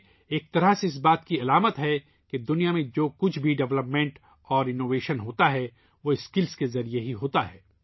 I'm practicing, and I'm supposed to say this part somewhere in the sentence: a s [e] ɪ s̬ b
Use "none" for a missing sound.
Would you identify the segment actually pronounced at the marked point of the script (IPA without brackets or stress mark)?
e